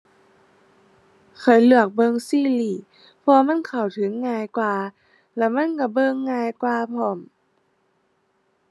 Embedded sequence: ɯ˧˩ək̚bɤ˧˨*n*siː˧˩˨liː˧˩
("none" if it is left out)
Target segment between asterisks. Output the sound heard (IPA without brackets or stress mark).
ŋ